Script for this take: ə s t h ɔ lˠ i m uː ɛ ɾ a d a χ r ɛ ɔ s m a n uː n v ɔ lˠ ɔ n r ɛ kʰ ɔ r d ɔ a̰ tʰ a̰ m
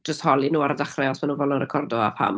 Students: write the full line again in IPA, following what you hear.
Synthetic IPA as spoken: ə s t h ɔ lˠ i n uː a ɾ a d a χ r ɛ ɔ s m a n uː n v ɔ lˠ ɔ n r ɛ kʰ ɔ r d ɔ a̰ pʰ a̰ m